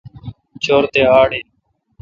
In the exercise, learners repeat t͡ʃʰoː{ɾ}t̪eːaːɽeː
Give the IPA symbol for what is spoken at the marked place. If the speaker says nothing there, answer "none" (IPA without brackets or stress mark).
ɾ